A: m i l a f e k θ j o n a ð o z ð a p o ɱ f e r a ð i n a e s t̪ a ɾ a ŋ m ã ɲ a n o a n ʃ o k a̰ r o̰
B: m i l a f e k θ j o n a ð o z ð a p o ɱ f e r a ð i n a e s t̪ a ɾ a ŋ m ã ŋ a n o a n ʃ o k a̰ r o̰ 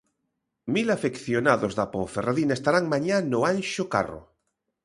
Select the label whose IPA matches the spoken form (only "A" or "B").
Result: A